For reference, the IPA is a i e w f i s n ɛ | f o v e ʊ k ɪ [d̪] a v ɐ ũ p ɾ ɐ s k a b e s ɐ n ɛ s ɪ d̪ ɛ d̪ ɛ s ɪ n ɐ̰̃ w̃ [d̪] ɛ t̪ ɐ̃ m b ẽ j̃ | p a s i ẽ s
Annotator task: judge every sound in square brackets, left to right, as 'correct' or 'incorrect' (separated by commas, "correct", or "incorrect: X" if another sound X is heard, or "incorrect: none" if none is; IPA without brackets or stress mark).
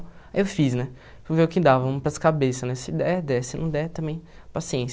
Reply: correct, correct